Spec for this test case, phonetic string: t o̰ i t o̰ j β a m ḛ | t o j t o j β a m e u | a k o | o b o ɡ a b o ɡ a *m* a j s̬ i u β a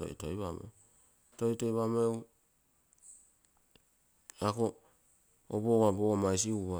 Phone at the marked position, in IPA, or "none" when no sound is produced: m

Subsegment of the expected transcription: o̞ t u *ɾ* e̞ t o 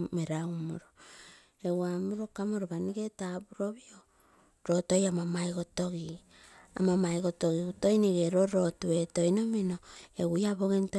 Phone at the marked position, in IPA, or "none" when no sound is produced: none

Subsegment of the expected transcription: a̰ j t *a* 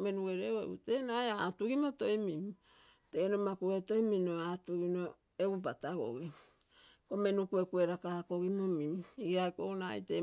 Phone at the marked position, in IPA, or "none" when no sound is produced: e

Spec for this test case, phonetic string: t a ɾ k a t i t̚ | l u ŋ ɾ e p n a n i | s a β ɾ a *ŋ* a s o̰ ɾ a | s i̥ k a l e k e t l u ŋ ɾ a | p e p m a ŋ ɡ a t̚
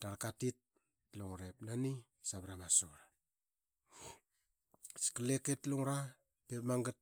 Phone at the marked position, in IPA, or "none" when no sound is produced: m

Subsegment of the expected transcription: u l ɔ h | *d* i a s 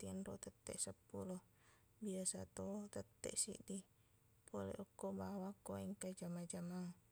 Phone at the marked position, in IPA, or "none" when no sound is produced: b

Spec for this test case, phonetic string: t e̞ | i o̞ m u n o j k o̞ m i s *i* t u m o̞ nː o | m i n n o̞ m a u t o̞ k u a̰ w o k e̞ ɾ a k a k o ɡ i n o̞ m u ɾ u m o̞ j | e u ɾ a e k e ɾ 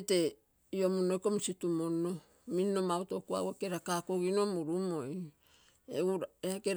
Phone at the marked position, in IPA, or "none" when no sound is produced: i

